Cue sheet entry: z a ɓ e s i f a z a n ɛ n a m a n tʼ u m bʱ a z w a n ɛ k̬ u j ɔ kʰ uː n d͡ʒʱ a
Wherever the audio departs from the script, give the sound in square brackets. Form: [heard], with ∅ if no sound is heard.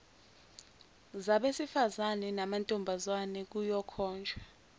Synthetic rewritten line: z a ɓ e s i f a z a n ɛ n a m a n tʼ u m bʱ a z w a n ɛ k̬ u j ɔ kʰ [ɔː] n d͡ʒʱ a